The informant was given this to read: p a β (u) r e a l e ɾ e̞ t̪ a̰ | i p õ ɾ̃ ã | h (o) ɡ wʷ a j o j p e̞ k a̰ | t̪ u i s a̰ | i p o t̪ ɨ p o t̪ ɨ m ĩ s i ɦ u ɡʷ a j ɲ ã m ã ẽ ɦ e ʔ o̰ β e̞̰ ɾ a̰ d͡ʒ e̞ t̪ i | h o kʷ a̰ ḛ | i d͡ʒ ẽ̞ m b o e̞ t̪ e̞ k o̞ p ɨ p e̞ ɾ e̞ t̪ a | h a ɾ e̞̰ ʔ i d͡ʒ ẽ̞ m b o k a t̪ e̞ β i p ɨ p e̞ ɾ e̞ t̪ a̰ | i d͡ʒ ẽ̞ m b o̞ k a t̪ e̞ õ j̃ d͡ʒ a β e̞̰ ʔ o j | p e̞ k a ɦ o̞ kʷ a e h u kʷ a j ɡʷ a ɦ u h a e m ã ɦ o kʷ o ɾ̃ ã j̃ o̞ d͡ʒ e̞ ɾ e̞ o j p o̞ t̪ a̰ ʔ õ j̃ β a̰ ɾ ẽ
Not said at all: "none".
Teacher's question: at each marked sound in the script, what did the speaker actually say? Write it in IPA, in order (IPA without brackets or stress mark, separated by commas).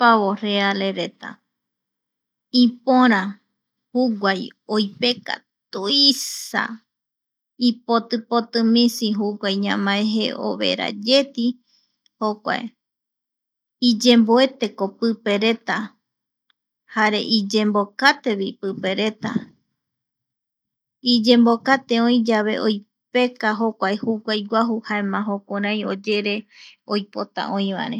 o, u